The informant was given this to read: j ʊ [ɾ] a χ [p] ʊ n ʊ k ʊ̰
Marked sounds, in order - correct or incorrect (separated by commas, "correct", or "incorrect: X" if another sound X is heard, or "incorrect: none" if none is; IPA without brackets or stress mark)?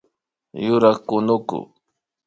correct, incorrect: k